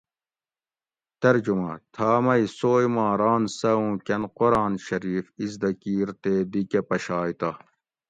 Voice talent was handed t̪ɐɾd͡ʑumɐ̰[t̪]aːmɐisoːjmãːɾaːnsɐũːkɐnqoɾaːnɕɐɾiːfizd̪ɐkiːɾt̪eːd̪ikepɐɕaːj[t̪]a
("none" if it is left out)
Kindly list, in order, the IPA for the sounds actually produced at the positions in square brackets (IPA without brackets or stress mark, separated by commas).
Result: t̪ʰ, t̪